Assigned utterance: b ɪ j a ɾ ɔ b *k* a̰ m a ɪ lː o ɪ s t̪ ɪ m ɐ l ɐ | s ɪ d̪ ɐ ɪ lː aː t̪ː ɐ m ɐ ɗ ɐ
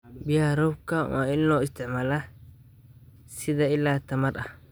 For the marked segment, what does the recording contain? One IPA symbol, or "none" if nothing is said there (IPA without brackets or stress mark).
k